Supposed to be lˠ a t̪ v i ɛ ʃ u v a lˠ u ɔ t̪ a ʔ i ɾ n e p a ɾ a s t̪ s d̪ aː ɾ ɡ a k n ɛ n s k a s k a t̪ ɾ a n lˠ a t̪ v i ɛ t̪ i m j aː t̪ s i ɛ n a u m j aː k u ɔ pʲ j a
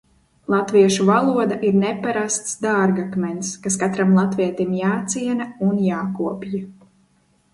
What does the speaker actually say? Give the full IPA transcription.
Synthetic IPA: lˠ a t̪ v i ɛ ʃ u v a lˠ u ɔ d̪ a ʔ i ɾ n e p a ɾ a s t̪ s d̪ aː ɾ ɡ a k m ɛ n s k a s k a t̪ ɾ a m lˠ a t̪ v i ɛ t̪ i m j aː t̪ s i ɛ n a u n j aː k u ɔ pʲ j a